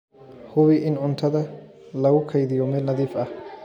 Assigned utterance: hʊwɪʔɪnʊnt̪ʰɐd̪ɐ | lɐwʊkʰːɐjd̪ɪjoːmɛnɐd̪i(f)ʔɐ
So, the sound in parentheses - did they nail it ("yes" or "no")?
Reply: yes